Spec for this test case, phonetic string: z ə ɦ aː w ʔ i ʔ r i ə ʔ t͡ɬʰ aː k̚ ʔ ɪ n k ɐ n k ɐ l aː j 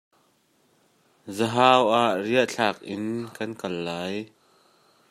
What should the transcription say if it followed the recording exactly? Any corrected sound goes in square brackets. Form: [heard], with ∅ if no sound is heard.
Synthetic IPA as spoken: z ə ɦ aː w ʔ [a] ʔ r i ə ʔ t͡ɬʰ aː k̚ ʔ ɪ n k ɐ n k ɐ [lː] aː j